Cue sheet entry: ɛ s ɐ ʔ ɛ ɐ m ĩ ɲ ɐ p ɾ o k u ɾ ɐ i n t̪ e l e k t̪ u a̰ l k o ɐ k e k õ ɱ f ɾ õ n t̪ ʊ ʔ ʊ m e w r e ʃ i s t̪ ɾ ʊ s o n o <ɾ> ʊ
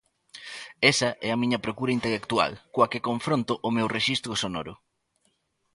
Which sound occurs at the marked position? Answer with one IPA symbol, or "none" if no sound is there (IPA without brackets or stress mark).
ɾ